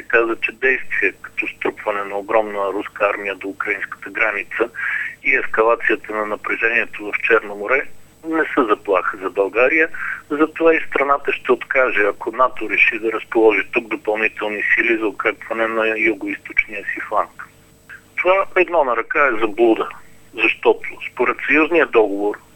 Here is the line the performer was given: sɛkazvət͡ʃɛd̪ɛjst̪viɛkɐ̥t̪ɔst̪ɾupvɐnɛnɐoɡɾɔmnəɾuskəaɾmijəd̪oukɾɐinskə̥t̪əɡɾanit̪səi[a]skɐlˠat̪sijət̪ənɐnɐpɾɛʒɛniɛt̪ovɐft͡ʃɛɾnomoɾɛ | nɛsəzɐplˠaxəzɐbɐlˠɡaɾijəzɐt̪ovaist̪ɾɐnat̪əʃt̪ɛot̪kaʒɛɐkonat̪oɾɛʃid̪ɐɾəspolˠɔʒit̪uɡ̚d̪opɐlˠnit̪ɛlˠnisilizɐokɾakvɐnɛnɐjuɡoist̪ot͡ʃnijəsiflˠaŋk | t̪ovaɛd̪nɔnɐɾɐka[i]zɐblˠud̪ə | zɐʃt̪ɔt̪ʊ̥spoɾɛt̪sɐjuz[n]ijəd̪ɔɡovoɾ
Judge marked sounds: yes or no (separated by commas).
no, no, yes